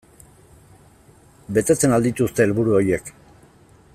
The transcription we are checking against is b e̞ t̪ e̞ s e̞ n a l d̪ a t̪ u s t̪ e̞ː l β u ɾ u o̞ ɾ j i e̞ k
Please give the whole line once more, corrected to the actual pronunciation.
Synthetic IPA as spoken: b e̞ t̪ e̞ t͡s e̞ n a l d̪ i t̪ u s t̪ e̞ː l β u ɾ u o̞ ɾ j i e̞ k